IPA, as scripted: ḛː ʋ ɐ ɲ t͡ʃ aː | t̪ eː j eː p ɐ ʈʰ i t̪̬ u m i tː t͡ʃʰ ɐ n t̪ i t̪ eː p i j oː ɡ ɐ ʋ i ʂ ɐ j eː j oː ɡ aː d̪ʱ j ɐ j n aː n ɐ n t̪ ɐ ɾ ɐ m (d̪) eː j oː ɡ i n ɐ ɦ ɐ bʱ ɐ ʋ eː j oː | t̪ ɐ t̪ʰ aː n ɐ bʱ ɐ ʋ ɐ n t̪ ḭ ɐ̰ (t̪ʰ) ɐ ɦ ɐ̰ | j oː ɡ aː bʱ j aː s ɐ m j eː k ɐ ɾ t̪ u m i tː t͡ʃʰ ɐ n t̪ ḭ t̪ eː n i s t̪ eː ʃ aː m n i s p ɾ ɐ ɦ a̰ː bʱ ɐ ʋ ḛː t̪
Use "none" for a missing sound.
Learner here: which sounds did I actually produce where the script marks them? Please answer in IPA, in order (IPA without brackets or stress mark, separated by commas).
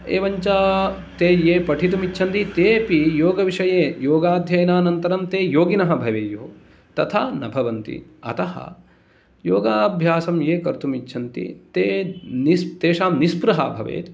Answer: t̪, t̪